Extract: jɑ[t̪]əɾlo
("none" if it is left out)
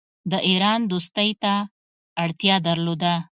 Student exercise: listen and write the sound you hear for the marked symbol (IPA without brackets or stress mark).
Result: d̪